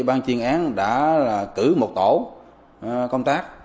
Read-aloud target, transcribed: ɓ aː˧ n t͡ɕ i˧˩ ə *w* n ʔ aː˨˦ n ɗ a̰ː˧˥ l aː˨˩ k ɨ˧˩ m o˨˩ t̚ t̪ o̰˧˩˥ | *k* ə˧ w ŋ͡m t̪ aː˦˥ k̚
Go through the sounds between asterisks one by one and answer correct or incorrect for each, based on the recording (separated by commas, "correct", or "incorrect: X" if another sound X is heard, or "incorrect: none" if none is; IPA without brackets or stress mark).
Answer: incorrect: none, correct